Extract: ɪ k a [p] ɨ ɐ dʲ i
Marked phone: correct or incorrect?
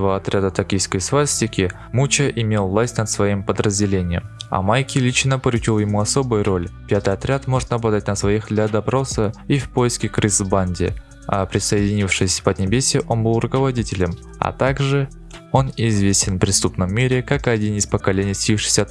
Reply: incorrect: k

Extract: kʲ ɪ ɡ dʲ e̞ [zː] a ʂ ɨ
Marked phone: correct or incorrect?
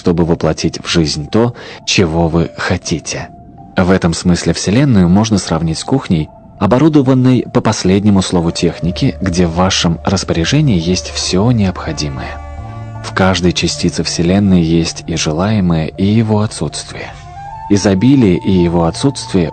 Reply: incorrect: vː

